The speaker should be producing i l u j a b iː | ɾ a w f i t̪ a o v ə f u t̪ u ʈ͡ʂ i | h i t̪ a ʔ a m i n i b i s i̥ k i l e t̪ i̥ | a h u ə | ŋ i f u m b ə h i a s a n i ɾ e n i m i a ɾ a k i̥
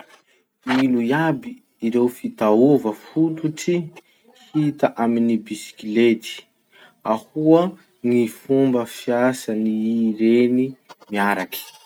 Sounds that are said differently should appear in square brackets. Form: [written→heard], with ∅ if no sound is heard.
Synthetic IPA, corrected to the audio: i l u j a b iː | ɾ [a→e] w f i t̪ a o v ə f u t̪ u ʈ͡ʂ i | h i t̪ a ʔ a m i n i b i s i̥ k i l e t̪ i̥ | a h u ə | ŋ i f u m b ə [h→f] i a s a n i ɾ e n i m i a ɾ a k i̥

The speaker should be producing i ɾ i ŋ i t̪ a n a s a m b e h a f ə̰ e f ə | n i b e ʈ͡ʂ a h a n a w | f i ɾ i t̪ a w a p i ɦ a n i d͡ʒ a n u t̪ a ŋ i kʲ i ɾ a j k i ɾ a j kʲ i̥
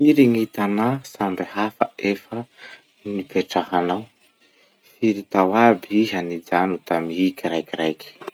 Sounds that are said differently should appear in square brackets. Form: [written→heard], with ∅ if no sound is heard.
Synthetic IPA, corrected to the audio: i ɾ i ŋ i t̪ a n a s a m b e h a f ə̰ e f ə | n i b e ʈ͡ʂ a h a n a w | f i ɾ i t̪ a w a [p→b] i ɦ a n i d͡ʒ a n u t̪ a [ŋ→m] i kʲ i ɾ a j k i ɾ a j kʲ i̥

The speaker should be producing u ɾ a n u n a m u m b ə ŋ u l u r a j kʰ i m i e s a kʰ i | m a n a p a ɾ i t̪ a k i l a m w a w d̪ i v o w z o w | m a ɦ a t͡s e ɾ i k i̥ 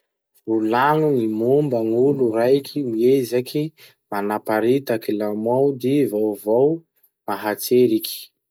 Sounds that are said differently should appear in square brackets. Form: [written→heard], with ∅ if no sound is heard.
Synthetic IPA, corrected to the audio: u [ɾ→l] a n u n [a→i] m u m b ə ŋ u l u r a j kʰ i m i e [s→z] a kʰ i | m a n a p a ɾ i t̪ a k i l a m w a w d̪ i v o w [z→v] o w | m a ɦ a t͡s e ɾ i k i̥

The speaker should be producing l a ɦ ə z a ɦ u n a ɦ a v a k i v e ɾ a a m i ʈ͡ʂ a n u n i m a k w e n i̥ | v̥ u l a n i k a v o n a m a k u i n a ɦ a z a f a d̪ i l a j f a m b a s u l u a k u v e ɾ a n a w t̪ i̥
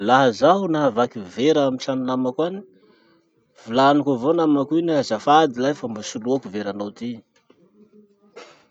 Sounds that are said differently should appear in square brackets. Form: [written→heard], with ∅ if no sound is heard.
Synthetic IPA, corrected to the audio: l a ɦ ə z a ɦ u n a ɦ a v a k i v e ɾ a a m i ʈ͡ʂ a n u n [i→a] m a k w [e→a] n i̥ | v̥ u l a n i k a v o n a m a k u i n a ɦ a z a f a d̪ i l a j f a m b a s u l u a k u v e ɾ a n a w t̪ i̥

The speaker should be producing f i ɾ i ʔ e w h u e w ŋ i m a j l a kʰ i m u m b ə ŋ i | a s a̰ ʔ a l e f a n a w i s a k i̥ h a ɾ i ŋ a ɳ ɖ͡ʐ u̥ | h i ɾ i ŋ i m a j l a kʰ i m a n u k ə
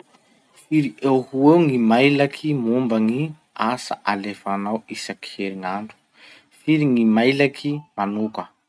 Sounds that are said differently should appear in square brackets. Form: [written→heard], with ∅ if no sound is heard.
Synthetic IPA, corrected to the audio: f i ɾ i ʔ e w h u e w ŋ i m a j l a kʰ i m u m b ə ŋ i | a s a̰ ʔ a l e f a n a w i s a k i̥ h [a→e] ɾ i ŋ a ɳ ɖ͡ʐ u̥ | [h→f] i ɾ i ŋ i m a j l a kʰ i m a n u k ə

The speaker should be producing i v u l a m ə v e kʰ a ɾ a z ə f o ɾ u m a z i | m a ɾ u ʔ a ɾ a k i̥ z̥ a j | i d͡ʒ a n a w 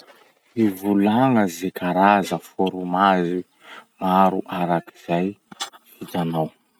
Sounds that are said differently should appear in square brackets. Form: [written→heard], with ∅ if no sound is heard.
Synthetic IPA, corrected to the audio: i v u l a [m→ŋ] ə [v→z] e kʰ a ɾ a z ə f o ɾ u m a z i | m a ɾ u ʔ a ɾ a k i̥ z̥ a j | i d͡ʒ a n a w

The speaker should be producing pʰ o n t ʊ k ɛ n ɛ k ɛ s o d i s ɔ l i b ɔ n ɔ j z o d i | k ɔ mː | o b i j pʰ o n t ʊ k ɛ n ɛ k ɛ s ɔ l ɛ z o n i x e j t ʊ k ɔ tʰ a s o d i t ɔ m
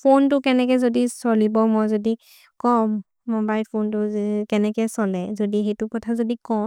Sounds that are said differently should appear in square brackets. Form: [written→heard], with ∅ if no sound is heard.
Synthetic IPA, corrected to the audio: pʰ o n t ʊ k ɛ n ɛ k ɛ [s→z] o d i s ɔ l i b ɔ [n→m] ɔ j z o d i | k ɔ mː | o b [i→a] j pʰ o n t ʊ k ɛ n ɛ k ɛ s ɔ l ɛ z o [n→d] i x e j t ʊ k ɔ tʰ a [s→z] o d i [t→k] ɔ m

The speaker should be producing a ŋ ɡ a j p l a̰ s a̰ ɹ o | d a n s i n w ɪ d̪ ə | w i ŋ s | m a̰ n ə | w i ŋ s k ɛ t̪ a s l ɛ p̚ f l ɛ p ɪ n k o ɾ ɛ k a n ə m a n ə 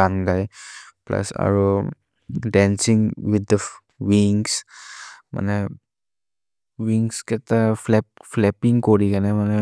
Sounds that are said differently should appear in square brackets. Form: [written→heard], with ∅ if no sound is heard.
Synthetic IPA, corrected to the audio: a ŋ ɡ a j p l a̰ s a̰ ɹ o | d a n s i [n→ŋ] w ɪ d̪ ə | w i ŋ s | m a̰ n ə | w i ŋ s k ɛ t̪ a [s→f] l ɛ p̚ f l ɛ p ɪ [n→ŋ] k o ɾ [ɛ→i] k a n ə m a n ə

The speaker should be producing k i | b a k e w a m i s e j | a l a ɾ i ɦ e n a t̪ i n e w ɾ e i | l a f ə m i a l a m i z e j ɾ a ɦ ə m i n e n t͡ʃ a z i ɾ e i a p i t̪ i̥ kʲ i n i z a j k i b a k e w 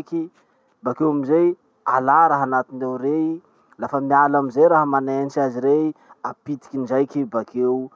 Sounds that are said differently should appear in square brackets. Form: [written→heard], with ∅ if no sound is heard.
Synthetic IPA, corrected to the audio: k i | b a k e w a m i [s→z] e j | a l a ɾ [i→a] ɦ [e→a] n a t̪ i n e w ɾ e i | l a f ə m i a l a m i z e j ɾ a ɦ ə m [i→a] n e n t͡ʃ a z i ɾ e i a p i t̪ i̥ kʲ i n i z a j k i b a k e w

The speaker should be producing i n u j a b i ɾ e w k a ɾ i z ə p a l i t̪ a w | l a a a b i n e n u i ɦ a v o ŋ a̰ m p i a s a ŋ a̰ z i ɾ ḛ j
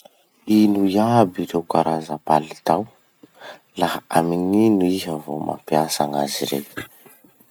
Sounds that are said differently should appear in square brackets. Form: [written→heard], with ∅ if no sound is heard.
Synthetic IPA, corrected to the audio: i n u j a b i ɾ e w k a ɾ [i→a] z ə p a l i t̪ a w | l a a a [b→m] i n [e→i] n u i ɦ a v o [ŋ→m] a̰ m p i a s a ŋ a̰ z i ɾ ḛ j

